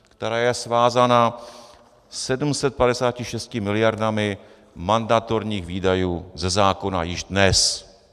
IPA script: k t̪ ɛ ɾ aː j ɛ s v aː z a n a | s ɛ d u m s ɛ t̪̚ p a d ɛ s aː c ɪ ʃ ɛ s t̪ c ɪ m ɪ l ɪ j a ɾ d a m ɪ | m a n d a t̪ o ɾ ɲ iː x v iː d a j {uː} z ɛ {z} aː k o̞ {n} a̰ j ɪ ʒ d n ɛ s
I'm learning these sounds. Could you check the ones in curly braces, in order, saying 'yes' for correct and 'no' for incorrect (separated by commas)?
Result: yes, yes, yes